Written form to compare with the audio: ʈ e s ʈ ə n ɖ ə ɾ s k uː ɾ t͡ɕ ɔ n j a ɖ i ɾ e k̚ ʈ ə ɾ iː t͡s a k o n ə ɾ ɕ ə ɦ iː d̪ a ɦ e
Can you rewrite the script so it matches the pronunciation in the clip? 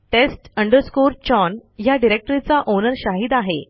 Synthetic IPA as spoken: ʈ e s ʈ ə ɳ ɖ ə ɾ s k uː ɾ t͡ɕ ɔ n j a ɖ i ɾ e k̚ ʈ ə ɾ i t͡s a ʔ o n ə ɾ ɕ a ɦ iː d̪ a ɦ e